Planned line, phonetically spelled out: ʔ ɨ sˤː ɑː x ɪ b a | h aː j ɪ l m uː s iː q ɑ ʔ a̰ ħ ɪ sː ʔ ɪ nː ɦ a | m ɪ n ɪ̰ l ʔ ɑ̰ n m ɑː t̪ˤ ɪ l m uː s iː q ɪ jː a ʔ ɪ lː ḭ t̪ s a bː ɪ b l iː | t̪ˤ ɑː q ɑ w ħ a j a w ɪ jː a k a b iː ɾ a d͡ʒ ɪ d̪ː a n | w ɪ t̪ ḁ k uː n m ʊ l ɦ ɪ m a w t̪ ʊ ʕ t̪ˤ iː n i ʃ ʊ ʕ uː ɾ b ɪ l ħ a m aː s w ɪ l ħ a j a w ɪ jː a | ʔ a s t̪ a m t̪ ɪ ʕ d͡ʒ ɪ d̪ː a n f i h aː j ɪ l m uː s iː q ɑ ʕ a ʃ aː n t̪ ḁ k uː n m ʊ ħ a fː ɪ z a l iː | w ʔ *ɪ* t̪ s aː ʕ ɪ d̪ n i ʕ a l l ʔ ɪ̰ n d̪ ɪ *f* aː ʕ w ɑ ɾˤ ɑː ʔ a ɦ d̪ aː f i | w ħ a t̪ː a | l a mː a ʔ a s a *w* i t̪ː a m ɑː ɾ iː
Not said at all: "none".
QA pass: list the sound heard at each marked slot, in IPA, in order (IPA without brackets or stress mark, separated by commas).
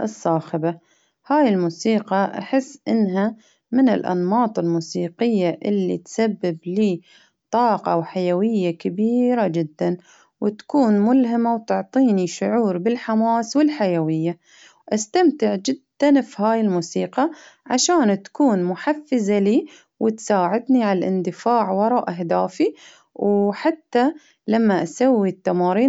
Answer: ɪ, f, wː